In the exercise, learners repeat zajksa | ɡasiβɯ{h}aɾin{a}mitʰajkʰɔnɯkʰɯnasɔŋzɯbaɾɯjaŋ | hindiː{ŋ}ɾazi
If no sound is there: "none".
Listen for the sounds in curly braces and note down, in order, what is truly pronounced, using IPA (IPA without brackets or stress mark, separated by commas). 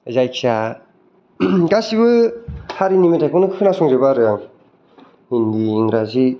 h, i, ŋ